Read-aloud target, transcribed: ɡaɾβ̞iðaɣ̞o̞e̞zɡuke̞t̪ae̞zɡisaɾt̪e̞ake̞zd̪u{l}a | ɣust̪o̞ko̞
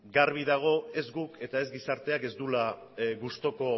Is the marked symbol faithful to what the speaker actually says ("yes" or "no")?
yes